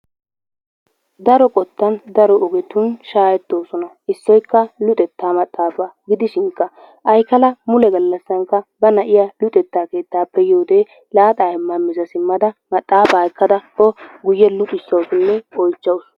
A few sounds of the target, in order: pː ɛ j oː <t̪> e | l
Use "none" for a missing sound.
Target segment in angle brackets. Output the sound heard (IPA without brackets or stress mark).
d̪